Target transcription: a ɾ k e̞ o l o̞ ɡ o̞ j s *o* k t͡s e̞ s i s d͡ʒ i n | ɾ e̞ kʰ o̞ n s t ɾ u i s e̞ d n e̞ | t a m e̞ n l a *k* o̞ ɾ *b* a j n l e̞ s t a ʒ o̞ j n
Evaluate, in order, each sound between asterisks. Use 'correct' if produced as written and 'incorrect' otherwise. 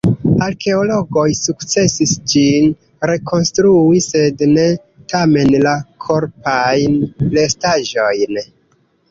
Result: incorrect: u, incorrect: kʰ, incorrect: p

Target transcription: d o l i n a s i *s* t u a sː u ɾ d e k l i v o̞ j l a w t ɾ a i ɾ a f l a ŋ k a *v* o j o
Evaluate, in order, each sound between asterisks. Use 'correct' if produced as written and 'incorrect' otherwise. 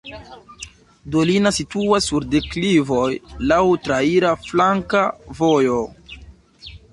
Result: incorrect: none, correct

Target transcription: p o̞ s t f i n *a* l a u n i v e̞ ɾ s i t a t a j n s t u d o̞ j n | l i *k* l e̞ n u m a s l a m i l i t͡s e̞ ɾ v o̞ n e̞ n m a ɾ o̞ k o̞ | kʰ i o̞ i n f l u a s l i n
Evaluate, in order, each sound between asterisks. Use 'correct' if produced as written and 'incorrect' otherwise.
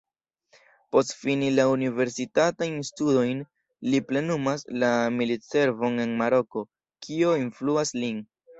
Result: incorrect: i, incorrect: p

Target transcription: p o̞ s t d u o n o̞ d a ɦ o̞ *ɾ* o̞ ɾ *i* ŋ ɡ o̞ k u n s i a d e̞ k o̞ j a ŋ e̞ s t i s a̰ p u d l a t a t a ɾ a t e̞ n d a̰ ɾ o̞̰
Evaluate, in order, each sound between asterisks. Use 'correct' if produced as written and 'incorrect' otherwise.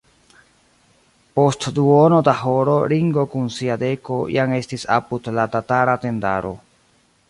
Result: correct, correct

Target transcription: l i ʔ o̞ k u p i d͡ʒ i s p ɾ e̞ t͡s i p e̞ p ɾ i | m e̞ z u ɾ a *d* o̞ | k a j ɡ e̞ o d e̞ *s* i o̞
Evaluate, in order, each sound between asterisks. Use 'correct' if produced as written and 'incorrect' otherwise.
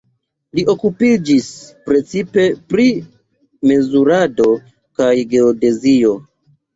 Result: correct, incorrect: z

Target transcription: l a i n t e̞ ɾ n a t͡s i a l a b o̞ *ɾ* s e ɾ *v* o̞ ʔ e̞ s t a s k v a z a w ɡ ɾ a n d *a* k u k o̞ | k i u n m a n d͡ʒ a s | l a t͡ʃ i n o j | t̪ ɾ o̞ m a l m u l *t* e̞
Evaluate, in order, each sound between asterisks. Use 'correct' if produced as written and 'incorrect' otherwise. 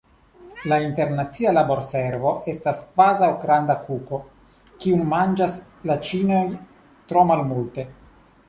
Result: correct, correct, correct, correct

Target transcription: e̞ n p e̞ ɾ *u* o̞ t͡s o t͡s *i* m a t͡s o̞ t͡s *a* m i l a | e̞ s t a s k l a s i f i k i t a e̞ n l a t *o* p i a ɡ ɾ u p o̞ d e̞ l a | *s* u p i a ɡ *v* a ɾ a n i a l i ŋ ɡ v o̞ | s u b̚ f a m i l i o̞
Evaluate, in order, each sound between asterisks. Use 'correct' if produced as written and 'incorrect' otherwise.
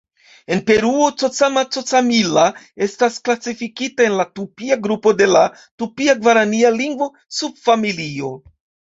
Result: correct, incorrect: a, correct, incorrect: u, incorrect: t, correct

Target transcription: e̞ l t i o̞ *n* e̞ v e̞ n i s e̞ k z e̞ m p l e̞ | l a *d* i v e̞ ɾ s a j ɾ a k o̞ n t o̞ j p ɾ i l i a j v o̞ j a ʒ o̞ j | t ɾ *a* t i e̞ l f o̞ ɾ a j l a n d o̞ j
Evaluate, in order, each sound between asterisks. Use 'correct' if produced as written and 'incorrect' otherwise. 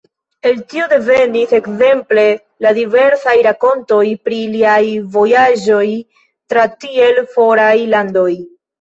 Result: incorrect: d, correct, correct

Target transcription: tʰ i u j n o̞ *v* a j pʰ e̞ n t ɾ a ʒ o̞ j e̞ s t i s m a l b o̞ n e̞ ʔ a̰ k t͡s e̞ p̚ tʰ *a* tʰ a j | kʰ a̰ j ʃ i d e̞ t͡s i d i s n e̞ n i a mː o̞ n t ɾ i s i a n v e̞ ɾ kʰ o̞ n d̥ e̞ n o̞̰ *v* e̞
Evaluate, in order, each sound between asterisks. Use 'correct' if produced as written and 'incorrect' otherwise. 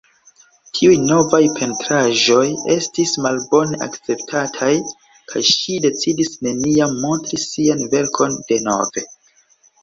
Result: correct, correct, correct

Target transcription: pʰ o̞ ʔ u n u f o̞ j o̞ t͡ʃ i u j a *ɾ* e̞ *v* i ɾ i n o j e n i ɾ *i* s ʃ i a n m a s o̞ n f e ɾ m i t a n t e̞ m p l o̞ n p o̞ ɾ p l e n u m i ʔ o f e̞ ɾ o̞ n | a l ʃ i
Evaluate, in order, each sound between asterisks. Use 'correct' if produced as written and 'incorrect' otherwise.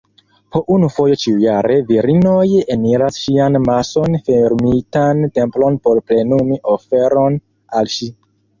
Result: correct, correct, incorrect: a

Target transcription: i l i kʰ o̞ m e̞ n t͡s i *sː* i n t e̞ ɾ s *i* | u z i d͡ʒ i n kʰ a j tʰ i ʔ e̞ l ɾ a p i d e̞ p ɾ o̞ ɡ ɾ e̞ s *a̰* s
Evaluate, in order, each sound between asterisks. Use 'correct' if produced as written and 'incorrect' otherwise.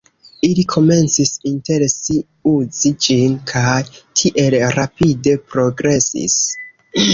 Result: incorrect: s, correct, incorrect: ḭ

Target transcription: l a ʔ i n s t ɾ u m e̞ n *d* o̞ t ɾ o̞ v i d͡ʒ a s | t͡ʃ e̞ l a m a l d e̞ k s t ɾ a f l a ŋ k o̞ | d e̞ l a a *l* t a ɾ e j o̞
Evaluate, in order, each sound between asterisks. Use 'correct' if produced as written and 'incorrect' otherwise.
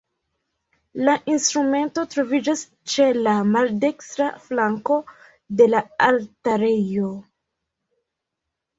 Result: incorrect: t, correct

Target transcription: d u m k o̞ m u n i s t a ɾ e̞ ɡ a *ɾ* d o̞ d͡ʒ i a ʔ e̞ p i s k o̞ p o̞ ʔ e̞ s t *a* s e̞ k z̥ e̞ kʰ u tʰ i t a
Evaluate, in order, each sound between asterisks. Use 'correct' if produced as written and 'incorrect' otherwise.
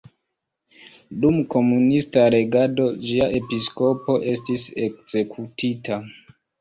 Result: incorrect: none, incorrect: i

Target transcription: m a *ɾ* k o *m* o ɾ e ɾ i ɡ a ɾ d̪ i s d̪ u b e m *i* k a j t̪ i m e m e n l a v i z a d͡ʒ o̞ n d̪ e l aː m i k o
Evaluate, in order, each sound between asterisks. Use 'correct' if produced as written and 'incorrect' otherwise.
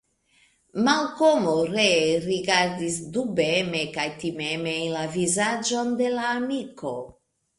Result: incorrect: l, correct, incorrect: e

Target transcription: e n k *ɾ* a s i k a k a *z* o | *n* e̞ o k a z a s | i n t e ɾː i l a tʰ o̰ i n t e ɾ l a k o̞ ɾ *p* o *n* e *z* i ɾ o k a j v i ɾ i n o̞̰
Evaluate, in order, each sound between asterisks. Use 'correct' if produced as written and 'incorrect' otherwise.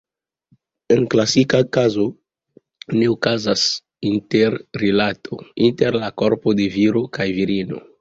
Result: incorrect: l, correct, correct, correct, incorrect: d, incorrect: v

